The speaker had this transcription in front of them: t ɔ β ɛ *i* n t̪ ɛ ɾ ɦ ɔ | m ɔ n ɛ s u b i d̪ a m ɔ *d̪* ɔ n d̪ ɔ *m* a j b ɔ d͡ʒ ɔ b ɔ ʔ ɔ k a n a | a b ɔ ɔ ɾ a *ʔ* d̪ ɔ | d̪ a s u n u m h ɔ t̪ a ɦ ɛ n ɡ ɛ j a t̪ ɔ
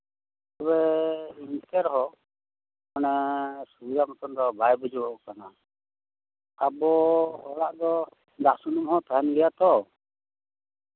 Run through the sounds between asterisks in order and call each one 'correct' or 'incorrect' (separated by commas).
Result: correct, incorrect, incorrect, correct